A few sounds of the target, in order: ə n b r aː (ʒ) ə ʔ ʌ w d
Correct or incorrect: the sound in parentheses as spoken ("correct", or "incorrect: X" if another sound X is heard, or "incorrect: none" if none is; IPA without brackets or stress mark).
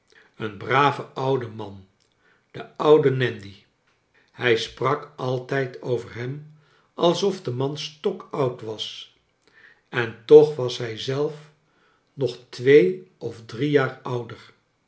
incorrect: v